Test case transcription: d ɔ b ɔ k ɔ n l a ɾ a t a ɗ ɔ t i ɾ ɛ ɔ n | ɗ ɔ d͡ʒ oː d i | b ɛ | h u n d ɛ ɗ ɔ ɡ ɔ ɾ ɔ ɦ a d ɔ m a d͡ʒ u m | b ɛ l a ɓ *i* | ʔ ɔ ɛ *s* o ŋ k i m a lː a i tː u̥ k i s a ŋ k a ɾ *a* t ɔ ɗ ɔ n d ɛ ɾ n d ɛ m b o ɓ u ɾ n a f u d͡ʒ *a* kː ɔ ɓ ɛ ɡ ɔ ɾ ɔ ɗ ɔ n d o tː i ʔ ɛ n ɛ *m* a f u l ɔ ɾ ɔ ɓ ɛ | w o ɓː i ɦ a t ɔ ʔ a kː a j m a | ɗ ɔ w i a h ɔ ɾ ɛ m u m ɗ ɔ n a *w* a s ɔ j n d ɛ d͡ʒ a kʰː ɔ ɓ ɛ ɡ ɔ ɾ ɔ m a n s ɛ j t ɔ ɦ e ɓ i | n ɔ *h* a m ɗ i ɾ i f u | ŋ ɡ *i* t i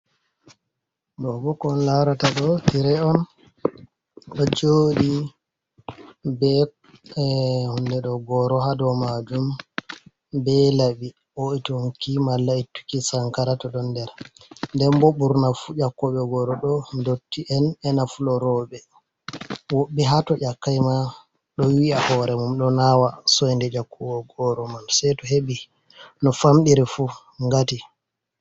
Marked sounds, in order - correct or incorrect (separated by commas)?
correct, incorrect, correct, correct, incorrect, correct, incorrect, incorrect